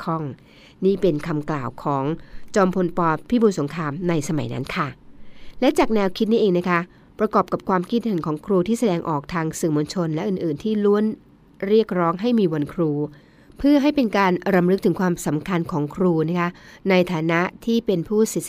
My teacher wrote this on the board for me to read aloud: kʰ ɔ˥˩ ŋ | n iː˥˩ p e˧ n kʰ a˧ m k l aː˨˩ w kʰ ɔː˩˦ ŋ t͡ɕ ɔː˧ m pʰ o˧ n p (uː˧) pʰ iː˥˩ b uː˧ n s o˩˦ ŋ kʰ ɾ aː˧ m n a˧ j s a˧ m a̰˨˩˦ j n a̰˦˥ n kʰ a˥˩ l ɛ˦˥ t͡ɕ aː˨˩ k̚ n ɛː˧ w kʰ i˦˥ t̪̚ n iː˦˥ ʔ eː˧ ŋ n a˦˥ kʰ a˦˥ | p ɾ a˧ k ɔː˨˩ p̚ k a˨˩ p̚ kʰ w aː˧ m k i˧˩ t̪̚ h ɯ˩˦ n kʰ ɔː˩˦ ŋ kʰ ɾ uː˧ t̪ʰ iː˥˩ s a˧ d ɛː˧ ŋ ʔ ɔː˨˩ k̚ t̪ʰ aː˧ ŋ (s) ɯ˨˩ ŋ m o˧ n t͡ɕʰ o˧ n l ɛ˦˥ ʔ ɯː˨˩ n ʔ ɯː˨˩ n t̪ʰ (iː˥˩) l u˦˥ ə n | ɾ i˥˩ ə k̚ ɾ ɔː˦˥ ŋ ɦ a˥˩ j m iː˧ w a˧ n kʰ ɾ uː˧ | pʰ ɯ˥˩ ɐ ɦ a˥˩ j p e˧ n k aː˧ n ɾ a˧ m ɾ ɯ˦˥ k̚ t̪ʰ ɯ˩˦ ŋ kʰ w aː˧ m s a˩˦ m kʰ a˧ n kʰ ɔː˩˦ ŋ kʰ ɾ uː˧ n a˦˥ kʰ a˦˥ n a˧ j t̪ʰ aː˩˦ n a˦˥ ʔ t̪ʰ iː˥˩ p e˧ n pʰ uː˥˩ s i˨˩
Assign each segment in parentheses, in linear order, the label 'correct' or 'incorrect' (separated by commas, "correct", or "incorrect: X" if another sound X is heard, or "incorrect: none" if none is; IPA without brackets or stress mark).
incorrect: ɔː˧, correct, correct